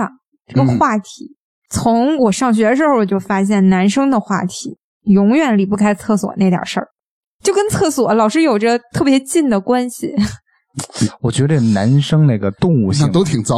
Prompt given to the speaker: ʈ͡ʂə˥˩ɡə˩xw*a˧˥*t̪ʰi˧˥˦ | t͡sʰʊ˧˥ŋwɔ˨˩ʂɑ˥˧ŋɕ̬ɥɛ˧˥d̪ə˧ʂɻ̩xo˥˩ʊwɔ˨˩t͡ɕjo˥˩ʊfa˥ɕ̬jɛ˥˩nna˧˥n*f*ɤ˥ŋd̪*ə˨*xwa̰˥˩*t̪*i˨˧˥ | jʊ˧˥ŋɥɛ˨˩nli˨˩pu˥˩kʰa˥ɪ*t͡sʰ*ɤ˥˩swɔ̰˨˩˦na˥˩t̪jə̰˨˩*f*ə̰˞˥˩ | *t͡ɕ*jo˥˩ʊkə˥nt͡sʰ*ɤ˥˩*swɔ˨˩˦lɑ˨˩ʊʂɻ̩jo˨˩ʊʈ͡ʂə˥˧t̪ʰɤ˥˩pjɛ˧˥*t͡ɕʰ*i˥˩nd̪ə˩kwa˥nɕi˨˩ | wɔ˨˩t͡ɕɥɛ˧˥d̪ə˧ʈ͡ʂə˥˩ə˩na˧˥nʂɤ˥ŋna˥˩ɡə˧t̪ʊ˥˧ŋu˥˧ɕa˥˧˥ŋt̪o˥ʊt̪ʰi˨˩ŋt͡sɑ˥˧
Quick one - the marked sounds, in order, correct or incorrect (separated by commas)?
incorrect, incorrect, correct, incorrect, correct, incorrect, correct, correct, incorrect